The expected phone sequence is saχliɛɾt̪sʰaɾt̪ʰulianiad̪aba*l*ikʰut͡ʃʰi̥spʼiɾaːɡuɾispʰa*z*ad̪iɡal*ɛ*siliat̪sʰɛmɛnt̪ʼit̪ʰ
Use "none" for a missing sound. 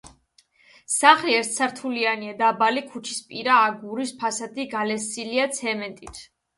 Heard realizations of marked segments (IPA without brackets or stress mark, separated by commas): l, s, ɛ